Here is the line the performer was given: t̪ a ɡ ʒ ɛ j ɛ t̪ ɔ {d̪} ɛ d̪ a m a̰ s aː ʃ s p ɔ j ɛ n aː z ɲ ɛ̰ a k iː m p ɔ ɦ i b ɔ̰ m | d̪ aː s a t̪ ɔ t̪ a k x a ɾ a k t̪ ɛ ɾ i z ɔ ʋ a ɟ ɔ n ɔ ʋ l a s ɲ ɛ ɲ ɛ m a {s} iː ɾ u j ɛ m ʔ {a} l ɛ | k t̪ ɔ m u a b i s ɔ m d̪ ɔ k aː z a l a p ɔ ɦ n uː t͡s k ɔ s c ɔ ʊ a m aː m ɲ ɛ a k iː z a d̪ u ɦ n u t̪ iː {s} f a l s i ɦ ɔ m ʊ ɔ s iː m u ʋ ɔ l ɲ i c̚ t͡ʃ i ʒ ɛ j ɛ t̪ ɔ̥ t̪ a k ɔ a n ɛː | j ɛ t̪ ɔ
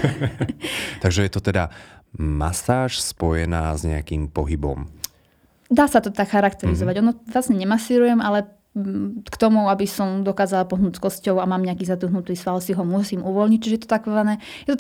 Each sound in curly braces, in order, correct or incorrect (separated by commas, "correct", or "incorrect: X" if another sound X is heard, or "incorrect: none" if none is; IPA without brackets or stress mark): incorrect: t̪, correct, correct, correct